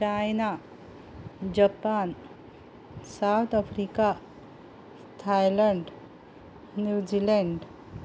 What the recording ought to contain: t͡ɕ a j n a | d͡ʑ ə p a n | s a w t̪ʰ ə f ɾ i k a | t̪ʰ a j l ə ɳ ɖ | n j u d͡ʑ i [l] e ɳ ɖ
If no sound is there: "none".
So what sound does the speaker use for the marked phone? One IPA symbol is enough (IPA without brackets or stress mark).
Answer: l